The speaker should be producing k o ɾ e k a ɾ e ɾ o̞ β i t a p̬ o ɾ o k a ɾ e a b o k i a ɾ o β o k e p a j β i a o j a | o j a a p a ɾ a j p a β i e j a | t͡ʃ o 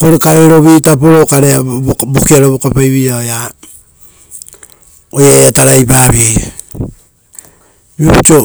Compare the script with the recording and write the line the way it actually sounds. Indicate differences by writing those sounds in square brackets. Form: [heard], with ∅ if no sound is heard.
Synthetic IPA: k o ɾ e k a ɾ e ɾ o̞ β i t a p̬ o ɾ o k a ɾ e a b o k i a ɾ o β o k [a] p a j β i a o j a | o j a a [t] a ɾ a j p a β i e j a | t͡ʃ o